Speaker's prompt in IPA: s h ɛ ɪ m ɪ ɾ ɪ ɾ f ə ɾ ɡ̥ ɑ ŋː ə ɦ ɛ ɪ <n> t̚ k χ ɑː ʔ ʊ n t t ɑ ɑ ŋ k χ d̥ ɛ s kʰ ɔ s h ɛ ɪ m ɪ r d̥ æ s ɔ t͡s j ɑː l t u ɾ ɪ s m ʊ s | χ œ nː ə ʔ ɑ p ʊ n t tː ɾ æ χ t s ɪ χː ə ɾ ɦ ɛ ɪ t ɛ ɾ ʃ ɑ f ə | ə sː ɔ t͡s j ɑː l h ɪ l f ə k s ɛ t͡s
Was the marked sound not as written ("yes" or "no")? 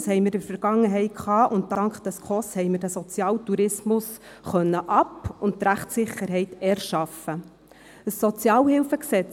yes